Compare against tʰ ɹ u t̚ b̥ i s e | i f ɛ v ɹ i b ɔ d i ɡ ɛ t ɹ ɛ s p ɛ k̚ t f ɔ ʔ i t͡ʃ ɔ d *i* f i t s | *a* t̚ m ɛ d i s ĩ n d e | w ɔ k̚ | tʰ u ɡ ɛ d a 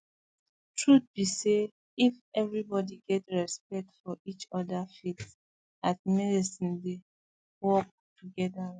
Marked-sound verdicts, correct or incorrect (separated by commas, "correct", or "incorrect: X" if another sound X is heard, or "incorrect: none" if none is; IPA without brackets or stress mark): incorrect: a, correct